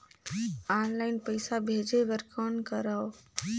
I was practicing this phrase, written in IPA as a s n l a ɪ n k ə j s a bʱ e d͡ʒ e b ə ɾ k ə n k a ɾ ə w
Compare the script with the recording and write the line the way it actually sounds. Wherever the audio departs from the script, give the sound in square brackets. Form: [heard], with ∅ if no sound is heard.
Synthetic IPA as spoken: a [∅] n l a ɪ n [p] ə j s a bʱ e d͡ʒ e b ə ɾ k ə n k [ə] ɾ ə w